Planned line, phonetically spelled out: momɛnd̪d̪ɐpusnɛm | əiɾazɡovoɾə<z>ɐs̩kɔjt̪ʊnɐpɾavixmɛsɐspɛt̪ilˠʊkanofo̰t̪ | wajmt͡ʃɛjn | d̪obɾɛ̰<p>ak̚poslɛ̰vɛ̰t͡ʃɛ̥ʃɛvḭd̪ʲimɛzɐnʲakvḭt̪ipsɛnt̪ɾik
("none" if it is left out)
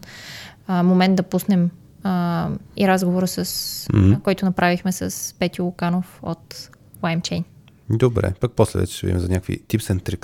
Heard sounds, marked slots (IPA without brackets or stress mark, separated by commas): s, p